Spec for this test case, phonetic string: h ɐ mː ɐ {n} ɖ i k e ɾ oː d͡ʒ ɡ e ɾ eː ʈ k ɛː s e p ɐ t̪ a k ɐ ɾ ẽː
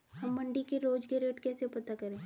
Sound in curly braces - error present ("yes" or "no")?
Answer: yes